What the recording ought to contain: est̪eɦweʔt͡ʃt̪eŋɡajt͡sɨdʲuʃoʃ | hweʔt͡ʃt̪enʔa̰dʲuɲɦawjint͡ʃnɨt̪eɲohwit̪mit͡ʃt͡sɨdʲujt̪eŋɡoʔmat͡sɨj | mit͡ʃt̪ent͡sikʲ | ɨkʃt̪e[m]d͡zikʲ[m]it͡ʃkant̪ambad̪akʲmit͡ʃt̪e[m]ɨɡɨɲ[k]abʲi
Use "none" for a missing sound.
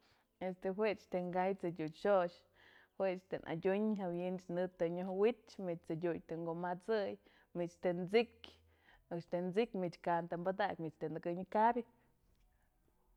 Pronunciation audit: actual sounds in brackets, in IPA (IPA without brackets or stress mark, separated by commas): n, m, n, k